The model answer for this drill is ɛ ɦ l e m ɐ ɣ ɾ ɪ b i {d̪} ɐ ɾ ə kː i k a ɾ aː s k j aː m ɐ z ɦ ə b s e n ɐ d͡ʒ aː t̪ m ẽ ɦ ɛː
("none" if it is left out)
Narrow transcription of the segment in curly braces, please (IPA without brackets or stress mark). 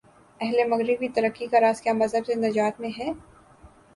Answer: t̪